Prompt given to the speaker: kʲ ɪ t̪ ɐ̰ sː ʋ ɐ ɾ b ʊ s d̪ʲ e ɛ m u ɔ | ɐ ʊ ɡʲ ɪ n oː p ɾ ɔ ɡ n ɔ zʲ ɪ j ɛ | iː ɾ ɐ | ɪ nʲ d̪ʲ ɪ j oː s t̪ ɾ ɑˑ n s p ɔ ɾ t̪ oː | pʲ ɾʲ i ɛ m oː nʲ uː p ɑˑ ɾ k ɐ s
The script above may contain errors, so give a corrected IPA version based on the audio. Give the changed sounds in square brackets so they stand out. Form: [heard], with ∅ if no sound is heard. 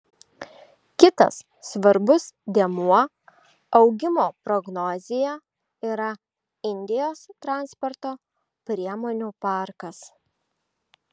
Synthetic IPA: kʲ ɪ t̪ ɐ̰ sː ʋ ɐ ɾ b ʊ s d̪ʲ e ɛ m u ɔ | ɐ ʊ ɡʲ ɪ [m] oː p ɾ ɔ ɡ n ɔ zʲ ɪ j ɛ | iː ɾ ɐ | ɪ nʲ d̪ʲ ɪ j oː s t̪ ɾ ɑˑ n s p ɔ ɾ t̪ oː | pʲ ɾʲ i ɛ m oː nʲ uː p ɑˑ ɾ k ɐ s